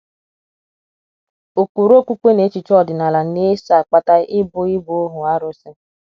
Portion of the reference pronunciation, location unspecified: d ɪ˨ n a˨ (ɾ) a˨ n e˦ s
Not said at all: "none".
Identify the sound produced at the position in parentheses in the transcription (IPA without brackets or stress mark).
l